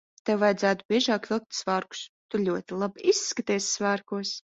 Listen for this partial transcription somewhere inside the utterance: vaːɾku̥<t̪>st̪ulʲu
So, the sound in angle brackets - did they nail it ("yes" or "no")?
no